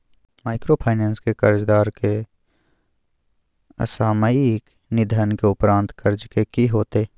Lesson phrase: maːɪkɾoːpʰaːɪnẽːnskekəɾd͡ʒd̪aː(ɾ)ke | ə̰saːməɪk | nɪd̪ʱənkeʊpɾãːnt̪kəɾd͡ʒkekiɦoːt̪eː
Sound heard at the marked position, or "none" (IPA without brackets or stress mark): ɾ